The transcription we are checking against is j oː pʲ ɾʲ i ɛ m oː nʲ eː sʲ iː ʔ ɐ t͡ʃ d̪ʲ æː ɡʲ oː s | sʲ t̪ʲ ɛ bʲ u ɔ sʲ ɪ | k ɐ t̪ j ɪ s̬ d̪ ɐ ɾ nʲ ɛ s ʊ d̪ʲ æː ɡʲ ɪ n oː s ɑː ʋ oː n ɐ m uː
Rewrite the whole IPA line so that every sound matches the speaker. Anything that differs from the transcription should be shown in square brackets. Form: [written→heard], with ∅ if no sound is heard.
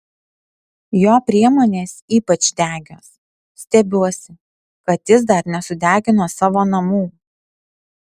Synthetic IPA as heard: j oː pʲ ɾʲ i ɛ m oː nʲ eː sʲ iː [ʔ→p] ɐ t͡ʃ d̪ʲ æː ɡʲ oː s | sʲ t̪ʲ ɛ bʲ u ɔ sʲ ɪ | k ɐ t̪ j ɪ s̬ d̪ ɐ ɾ nʲ ɛ s ʊ d̪ʲ æː ɡʲ ɪ n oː s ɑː ʋ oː n ɐ m uː